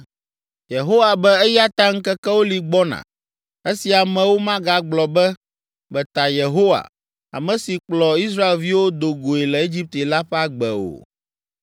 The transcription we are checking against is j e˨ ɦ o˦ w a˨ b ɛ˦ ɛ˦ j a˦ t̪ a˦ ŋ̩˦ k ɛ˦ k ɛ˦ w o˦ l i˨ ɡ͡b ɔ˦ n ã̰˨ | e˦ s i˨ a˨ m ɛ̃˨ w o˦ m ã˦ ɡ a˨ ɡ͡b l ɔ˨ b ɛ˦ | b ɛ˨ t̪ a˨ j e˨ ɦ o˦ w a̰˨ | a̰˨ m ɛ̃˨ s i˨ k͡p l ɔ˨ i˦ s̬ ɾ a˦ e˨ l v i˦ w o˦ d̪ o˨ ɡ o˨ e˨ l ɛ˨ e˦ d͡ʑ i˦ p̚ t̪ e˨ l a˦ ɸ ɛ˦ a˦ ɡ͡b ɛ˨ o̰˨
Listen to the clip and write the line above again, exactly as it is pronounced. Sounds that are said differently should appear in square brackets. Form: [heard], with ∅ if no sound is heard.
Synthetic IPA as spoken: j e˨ ɦ o˦ w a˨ b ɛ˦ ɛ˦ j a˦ t̪ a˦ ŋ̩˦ k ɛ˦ k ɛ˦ w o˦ l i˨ ɡ͡b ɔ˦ n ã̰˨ | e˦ s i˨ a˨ m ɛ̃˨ w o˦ m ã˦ ɡ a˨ ɡ͡b l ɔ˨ b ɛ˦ | b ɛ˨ t̪ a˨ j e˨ ɦ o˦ w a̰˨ | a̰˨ m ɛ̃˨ s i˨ k͡p l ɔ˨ i˦ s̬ ɾ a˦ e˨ l v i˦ w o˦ d̪ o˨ ɡ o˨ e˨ l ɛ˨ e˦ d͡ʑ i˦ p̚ t̪ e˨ l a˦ ɸ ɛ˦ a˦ ɡ͡b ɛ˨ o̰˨